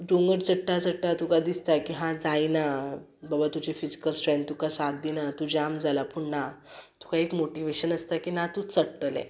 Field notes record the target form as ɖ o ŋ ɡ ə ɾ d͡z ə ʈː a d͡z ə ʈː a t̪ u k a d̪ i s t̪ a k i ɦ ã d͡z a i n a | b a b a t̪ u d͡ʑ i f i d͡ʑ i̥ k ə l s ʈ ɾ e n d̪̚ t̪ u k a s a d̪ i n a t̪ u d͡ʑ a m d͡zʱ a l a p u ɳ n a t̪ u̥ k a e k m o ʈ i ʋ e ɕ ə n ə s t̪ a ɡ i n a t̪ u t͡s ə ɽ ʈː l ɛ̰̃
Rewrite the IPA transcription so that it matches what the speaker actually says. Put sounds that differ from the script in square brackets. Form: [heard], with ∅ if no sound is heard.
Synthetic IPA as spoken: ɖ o ŋ ɡ ə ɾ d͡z ə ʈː a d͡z ə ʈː a t̪ u k a d̪ i s t̪ a k i ɦ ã d͡z a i n a | b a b a t̪ u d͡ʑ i f i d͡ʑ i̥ k ə l s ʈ ɾ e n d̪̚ t̪ u k a s a d̪ i n a t̪ u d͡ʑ a m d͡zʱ a l a p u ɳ n a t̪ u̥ k a e k m o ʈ i ʋ e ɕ ə n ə s t̪ a [k] i n a t̪ u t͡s ə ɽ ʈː l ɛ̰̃